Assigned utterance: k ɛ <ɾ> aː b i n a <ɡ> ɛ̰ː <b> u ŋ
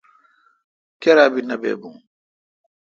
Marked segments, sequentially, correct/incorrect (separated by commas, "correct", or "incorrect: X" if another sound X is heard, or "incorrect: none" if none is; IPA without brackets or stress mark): correct, incorrect: b, correct